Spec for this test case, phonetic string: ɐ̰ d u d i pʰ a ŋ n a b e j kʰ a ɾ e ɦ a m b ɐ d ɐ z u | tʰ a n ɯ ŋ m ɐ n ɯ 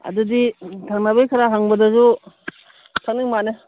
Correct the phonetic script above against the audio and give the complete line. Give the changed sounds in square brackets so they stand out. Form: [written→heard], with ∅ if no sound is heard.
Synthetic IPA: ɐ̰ d u d i [pʰ→tʰ] a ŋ n a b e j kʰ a ɾ [e→a] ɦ a [m→ŋ] b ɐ d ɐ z u | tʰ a n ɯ ŋ m [ɐ→a] n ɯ